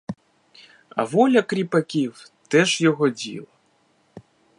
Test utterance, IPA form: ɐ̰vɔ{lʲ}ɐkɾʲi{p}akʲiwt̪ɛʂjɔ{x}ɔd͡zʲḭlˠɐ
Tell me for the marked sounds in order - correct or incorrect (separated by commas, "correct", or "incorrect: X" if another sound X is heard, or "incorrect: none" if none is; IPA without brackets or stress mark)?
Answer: correct, correct, incorrect: ɣ